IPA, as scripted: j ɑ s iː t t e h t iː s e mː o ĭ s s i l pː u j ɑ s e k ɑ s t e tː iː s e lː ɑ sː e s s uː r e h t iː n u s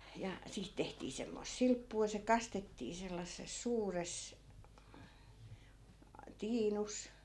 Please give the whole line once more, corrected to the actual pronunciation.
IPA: j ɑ s iː t t e h t iː s e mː o ĭ s s i l pː uː j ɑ s e k ɑ s t e tː iː s e lː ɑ sː e s s uː r e s t iː n u s